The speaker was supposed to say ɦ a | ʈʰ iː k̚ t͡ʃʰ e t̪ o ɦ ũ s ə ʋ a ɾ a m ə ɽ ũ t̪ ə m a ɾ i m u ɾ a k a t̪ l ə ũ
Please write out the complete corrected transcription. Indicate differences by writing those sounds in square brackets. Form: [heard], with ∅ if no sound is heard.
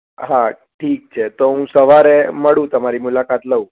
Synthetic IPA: ɦ a | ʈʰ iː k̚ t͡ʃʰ e t̪ o ɦ ũ s ə ʋ a ɾ [e] m ə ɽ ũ t̪ ə m a ɾ i m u [l] a k a t̪ l ə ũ